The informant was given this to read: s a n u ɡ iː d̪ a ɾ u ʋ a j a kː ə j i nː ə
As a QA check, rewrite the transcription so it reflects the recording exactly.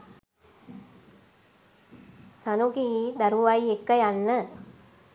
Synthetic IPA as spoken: s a n u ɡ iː d̪ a ɾ u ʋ a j e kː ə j a nː ə

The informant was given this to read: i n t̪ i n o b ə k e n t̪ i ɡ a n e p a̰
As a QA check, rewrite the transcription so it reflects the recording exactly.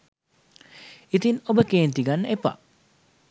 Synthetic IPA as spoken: i t̪ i n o b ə k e n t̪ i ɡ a n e p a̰

